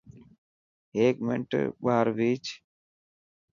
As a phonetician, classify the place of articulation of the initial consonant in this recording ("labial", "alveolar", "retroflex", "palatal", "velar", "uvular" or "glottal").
velar